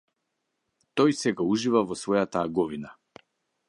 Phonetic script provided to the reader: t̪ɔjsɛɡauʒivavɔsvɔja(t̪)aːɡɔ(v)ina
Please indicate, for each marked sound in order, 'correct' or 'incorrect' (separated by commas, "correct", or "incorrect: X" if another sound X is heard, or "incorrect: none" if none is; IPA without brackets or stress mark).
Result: correct, correct